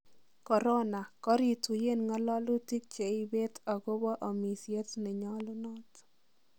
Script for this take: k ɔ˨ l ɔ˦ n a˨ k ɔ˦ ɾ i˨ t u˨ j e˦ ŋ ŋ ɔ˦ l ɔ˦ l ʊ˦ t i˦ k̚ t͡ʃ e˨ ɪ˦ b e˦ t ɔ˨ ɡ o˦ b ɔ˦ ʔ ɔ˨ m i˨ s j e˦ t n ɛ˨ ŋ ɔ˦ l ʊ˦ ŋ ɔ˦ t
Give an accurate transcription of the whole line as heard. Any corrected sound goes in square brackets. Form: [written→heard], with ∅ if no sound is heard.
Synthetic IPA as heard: k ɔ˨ [l→ɾ] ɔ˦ n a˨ k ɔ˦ ɾ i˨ t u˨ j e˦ [ŋ→n] ŋ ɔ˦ l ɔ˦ l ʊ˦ t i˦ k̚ t͡ʃ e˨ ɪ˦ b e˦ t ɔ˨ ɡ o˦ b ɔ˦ ʔ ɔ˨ m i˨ s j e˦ t n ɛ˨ [ŋ→ɲ] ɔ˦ l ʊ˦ [ŋ→n] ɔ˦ t